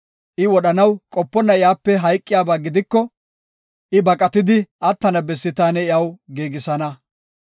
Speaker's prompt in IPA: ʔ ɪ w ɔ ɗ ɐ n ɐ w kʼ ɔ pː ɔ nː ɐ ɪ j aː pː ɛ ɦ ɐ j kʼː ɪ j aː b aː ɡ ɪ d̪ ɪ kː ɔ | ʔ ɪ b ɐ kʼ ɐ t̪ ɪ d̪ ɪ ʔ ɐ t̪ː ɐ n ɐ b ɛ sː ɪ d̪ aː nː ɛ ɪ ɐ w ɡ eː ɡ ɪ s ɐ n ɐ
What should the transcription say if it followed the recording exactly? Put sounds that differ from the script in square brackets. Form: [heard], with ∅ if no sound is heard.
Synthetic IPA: ʔ ɪ w ɔ ɗ ɐ n ɐ w kʼ ɔ pː ɔ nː ɐ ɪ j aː pː ɛ ɦ ɐ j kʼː ɪ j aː b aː ɡ ɪ d̪ ɪ kː ɔ | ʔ ɪ b ɐ kʼ ɐ t̪ ɪ d̪ ɪ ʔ ɐ t̪ː ɐ n ɐ b ɛ sː ɪ [t̪] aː [n] ɛ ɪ ɐ w ɡ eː ɡ ɪ s ɐ n ɐ

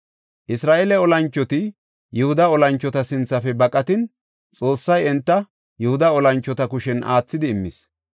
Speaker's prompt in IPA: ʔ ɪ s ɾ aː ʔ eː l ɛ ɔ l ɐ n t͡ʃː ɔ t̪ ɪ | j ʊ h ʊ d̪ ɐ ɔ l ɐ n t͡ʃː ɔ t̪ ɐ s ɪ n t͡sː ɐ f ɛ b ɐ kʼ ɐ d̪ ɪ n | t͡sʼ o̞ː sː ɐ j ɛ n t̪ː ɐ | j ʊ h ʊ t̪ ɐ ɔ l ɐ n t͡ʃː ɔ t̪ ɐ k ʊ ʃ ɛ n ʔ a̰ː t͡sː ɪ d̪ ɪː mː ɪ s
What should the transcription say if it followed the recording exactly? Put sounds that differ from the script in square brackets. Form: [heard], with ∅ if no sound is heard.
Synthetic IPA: ʔ ɪ s ɾ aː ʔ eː l ɛ ɔ l ɐ n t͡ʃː ɔ t̪ ɪ | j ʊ h ʊ d̪ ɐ ɔ l ɐ n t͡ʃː ɔ t̪ ɐ s ɪ n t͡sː ɐ f ɛ b ɐ kʼ ɐ [t̪] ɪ n | t͡sʼ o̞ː sː ɐ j ɛ n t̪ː ɐ | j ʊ h ʊ [d̪] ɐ ɔ l ɐ n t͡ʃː ɔ t̪ ɐ k ʊ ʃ ɛ n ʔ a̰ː t͡sː ɪ d̪ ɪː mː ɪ s

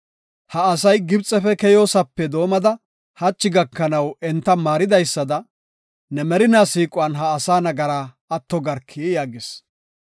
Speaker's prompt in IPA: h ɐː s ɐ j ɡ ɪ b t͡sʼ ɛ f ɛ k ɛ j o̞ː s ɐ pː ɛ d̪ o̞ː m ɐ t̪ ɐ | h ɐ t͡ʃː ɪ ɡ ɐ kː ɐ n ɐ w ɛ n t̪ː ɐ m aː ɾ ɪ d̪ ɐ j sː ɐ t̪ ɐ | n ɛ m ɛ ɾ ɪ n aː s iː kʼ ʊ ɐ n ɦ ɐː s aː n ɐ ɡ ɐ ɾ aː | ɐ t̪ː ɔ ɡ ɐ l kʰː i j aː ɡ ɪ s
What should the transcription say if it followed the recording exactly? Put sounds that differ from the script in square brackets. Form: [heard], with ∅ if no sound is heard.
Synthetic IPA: h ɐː s ɐ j ɡ ɪ b t͡sʼ ɛ f ɛ k ɛ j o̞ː s ɐ pː ɛ d̪ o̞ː m ɐ [d̪] ɐ | h ɐ t͡ʃː ɪ ɡ ɐ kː ɐ n ɐ w ɛ n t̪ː ɐ m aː ɾ ɪ d̪ ɐ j sː ɐ [d̪] ɐ | n ɛ m ɛ ɾ ɪ n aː s iː kʼ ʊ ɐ n ɦ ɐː s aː n ɐ ɡ ɐ ɾ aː | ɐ t̪ː ɔ ɡ ɐ [ɾ] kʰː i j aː ɡ ɪ s

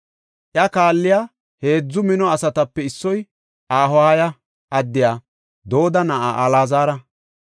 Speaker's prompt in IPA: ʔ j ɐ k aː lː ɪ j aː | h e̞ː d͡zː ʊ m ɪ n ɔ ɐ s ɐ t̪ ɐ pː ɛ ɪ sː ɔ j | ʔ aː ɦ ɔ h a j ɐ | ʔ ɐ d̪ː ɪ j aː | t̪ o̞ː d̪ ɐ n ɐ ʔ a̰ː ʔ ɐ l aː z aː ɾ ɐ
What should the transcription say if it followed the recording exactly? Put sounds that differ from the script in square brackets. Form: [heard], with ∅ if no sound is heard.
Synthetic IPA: ʔ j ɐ k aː lː ɪ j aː | h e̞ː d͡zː ʊ m ɪ n ɔ ɐ s ɐ t̪ ɐ pː ɛ ɪ sː ɔ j | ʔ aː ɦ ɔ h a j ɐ | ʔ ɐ d̪ː ɪ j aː | [d̪] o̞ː d̪ ɐ n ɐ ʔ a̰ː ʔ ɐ l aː z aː ɾ ɐ

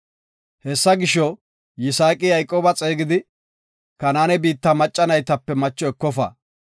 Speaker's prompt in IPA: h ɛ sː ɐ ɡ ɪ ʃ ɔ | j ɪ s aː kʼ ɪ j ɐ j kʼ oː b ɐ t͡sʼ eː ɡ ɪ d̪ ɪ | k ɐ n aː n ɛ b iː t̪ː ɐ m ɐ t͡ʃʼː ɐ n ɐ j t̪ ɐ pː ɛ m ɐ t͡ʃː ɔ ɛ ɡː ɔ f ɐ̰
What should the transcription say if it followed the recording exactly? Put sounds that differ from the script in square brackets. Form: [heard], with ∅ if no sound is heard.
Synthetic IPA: h ɛ sː ɐ ɡ ɪ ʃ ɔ | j ɪ s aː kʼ ɪ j ɐ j kʼ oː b ɐ t͡sʼ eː ɡ ɪ d̪ ɪ | k ɐ n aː n ɛ b iː t̪ː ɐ m ɐ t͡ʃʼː ɐ n ɐ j t̪ ɐ pː ɛ m ɐ t͡ʃː ɔ ɛ [kː] ɔ f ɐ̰

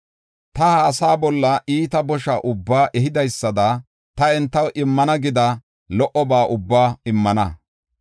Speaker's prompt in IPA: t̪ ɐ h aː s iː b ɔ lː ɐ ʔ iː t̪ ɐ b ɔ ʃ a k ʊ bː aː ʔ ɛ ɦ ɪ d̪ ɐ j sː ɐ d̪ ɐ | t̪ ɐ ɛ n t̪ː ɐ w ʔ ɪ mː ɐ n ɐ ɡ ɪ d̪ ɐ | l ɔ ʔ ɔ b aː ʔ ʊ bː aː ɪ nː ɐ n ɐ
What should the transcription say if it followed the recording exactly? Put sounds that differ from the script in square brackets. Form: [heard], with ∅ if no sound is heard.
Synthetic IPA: t̪ ɐ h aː s [aː] b ɔ lː ɐ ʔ iː t̪ ɐ b ɔ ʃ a [ʔ] ʊ bː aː ʔ ɛ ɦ ɪ d̪ ɐ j sː ɐ d̪ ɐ | t̪ ɐ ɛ n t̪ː ɐ w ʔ ɪ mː ɐ n ɐ ɡ ɪ d̪ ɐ | l ɔ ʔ ɔ b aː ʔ ʊ bː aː ɪ [mː] ɐ n ɐ

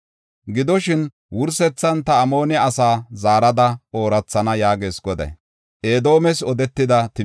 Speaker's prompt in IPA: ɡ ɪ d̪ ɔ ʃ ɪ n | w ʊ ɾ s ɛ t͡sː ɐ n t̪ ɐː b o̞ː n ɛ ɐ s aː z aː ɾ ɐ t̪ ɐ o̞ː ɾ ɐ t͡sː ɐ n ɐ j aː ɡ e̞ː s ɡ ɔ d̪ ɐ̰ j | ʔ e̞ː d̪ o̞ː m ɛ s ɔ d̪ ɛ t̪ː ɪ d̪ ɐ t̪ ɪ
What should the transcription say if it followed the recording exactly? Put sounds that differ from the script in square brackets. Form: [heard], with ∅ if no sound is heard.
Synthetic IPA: ɡ ɪ d̪ ɔ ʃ ɪ n | w ʊ ɾ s ɛ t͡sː ɐ n t̪ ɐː [m] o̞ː n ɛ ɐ s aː z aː ɾ ɐ [d̪] ɐ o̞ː ɾ ɐ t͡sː ɐ n ɐ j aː ɡ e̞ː s ɡ ɔ d̪ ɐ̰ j | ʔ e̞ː d̪ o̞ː m ɛ s ɔ d̪ ɛ t̪ː ɪ d̪ ɐ t̪ ɪ

